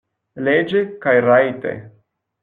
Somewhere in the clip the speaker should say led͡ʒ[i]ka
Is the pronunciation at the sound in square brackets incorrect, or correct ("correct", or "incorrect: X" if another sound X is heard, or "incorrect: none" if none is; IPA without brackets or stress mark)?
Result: incorrect: e